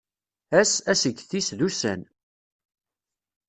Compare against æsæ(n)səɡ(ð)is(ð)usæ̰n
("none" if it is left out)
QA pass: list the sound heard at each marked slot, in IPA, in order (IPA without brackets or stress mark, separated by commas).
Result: none, θ, ð